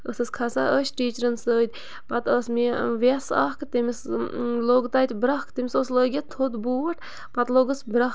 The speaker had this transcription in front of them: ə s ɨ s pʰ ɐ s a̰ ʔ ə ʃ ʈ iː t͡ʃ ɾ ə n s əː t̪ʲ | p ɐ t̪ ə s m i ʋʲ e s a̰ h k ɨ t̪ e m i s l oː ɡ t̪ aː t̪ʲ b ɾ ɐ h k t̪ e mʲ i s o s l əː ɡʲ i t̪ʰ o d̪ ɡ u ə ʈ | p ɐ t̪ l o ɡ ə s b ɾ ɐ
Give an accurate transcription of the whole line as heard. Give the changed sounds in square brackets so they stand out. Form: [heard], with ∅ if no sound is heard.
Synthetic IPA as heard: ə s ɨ s [kʰ] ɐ s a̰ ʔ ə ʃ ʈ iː t͡ʃ ɾ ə n s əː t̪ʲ | p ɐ t̪ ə s m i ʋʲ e s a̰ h k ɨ t̪ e m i s l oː ɡ t̪ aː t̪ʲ b ɾ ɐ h k t̪ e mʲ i s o s l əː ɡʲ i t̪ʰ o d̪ [b] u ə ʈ | p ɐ t̪ l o ɡ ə s b ɾ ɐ